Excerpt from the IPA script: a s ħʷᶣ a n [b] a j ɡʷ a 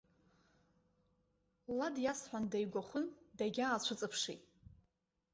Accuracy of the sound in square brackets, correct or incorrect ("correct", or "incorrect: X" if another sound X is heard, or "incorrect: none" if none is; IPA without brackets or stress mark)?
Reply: incorrect: d